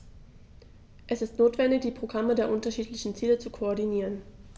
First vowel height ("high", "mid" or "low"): mid